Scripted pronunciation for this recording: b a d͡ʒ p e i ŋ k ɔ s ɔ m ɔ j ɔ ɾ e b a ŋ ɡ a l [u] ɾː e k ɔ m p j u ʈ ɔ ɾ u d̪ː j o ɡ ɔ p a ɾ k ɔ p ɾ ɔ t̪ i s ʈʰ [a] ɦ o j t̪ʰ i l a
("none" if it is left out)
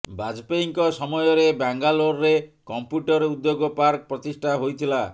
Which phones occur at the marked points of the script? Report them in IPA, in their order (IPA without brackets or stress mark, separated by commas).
o, a